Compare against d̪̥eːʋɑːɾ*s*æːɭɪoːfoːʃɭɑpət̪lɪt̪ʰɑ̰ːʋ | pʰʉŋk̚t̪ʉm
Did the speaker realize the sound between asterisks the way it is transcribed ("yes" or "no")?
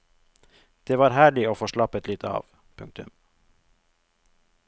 no